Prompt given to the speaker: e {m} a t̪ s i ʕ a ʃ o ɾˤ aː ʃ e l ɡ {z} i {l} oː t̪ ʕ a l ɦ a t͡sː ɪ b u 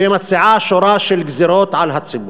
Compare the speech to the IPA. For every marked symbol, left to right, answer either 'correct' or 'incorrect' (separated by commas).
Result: correct, correct, incorrect